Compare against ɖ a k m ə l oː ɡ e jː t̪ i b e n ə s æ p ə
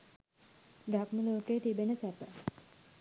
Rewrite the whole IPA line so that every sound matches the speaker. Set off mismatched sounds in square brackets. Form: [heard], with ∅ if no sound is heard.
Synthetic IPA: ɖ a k m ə l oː [k] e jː t̪ i b e n ə s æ p ə